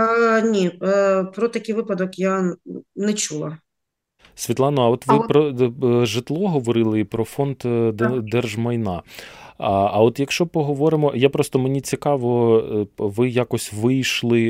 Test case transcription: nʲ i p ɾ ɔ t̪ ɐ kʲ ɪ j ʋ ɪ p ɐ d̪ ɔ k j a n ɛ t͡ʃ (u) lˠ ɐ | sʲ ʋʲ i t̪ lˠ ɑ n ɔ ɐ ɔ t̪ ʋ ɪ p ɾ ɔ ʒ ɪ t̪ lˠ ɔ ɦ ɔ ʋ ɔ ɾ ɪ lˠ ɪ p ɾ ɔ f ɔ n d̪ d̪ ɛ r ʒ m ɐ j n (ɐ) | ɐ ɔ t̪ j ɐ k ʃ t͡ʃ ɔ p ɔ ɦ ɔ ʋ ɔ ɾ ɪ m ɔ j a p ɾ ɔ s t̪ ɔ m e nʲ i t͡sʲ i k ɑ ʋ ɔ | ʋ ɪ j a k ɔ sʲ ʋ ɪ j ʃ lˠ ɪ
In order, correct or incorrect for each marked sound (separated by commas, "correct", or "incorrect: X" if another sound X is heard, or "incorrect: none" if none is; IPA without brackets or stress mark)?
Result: correct, incorrect: ɑ